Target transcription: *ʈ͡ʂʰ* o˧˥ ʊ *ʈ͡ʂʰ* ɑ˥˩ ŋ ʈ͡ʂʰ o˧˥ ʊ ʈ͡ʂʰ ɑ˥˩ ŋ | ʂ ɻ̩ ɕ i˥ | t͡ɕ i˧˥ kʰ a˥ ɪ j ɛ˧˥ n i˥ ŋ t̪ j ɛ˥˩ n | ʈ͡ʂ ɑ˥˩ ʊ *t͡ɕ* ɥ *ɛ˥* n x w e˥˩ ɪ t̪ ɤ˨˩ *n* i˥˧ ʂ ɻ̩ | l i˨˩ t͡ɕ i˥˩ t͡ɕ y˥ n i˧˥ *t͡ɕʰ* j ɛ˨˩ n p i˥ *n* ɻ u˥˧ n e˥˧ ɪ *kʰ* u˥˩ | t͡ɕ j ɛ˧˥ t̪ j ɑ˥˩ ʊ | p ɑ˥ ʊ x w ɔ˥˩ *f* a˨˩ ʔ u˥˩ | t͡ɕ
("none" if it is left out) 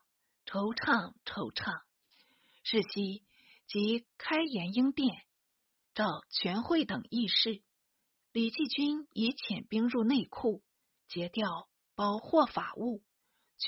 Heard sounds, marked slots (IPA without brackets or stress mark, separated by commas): ʈ͡ʂʰ, ʈ͡ʂʰ, t͡ɕʰ, ɛ˧˥, ŋ, t͡ɕʰ, ŋ, kʰ, f